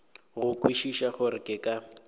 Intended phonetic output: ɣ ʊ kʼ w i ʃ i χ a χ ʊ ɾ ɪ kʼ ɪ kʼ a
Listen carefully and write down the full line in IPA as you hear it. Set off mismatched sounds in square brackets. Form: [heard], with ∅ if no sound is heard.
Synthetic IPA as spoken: ɣ ʊ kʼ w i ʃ i [ʃ] a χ ʊ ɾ ɪ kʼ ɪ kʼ a